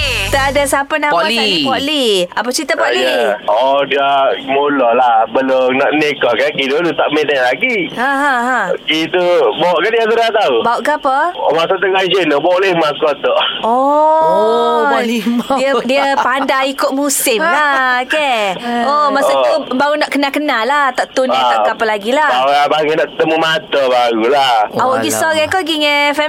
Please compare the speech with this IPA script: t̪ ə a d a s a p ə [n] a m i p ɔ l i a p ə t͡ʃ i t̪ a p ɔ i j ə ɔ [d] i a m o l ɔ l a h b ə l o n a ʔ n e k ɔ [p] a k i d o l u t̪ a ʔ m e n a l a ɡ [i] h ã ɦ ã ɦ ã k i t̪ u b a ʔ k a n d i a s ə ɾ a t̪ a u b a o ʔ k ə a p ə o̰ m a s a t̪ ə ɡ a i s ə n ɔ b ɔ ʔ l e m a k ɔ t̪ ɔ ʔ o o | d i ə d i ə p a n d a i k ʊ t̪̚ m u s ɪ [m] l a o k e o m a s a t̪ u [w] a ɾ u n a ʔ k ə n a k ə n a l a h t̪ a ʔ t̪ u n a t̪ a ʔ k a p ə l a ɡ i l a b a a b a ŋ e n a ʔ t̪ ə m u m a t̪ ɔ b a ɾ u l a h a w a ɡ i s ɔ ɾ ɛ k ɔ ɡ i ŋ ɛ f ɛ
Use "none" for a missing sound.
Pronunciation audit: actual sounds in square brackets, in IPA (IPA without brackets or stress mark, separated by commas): n, d, k, i, m, b